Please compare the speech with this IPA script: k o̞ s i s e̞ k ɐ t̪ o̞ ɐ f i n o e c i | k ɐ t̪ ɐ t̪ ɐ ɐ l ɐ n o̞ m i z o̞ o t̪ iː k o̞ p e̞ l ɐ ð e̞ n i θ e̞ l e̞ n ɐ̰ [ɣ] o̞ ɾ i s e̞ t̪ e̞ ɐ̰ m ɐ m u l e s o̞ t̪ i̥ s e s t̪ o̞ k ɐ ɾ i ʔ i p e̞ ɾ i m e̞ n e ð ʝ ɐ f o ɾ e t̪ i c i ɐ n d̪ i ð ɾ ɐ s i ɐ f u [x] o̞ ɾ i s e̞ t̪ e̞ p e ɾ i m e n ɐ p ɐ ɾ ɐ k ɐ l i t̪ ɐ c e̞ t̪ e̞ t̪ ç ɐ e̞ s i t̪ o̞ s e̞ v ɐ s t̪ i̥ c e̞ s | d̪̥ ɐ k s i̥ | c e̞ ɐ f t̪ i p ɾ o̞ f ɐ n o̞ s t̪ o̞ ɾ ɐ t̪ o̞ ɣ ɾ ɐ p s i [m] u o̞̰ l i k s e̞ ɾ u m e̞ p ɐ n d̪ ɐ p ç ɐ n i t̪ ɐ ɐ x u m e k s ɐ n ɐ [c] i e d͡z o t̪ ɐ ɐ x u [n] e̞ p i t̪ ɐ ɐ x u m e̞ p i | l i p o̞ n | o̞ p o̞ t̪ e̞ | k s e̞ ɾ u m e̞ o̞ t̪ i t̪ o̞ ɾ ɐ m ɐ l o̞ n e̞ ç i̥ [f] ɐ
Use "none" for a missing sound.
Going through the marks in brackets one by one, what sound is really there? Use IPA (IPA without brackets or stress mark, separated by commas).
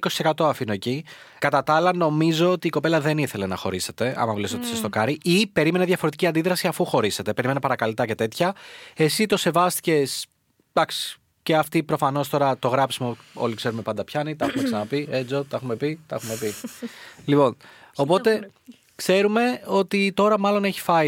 x, x, m, p, m, f